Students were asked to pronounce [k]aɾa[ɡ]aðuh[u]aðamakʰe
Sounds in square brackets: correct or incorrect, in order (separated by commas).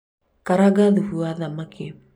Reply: correct, correct, correct